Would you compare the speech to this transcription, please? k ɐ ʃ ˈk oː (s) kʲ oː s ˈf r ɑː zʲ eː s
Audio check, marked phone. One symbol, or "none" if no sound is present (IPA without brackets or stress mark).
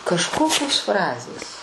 none